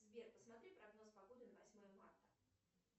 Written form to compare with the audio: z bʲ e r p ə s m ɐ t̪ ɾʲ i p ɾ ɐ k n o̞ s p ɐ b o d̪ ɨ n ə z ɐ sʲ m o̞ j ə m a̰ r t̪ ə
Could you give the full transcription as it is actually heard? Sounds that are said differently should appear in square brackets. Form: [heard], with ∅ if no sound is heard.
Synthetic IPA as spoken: z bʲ e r p ə s m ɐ t̪ ɾʲ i p ɾ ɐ [ɡ] n o̞ s p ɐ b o d̪ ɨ n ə [v] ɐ sʲ m o̞ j ə m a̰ r t̪ ə